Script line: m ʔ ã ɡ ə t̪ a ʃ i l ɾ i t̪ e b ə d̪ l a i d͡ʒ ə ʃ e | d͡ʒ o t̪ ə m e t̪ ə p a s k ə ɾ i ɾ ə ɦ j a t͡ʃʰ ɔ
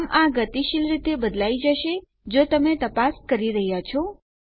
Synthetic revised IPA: m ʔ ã ɡ ə t̪ i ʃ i l ɾ i t̪ e b ə d̪ l a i d͡ʒ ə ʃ e | d͡ʒ o t̪ ə m e t̪ ə p a s k ə ɾ i ɾ ə ɦ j a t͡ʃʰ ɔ